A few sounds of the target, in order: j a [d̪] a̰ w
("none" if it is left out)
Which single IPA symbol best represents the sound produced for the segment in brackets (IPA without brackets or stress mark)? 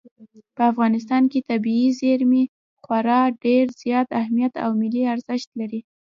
t̪